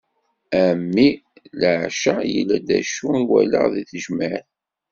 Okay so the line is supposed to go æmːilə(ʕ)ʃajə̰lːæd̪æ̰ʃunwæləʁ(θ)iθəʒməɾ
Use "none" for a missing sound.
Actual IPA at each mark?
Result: ʕ, ð

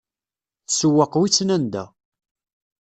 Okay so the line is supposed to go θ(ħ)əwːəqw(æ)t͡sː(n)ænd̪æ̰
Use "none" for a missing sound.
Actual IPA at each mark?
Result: s, i, n

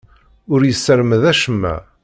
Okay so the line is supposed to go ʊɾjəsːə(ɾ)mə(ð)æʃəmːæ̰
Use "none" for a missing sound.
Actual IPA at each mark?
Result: ɾ, ð

